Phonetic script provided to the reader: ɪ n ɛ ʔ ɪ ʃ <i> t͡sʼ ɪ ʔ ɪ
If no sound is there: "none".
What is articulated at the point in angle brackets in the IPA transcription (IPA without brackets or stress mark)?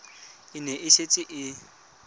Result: e